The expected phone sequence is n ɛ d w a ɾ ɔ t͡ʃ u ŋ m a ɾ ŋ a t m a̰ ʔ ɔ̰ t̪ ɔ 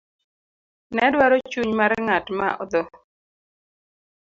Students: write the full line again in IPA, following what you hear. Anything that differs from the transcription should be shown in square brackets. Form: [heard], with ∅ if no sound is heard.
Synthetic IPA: n ɛ d w a ɾ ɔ t͡ʃ u [ɲ] m a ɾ ŋ a t m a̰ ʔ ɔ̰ [d̪] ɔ